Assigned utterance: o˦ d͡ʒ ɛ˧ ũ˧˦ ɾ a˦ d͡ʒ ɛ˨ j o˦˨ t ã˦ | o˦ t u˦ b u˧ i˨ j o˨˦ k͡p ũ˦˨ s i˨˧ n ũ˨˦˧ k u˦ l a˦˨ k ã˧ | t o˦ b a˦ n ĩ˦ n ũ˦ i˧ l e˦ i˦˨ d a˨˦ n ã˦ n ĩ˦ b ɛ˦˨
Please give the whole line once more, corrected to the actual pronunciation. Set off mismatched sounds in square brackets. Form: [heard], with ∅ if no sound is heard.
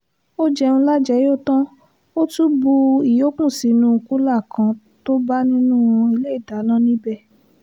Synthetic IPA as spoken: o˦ d͡ʒ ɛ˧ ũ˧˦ [l] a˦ d͡ʒ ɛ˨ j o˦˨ t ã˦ | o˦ t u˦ b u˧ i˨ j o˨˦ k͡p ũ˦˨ s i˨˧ n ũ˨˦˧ k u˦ l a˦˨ k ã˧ | t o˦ b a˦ n ĩ˦ n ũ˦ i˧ l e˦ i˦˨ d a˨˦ n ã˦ n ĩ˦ b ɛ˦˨